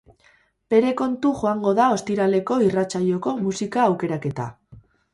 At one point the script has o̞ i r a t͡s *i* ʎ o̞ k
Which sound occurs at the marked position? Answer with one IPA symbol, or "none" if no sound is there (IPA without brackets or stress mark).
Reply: a